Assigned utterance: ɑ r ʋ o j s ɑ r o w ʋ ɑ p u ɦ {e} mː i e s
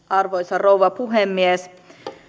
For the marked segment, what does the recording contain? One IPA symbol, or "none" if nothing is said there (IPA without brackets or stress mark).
e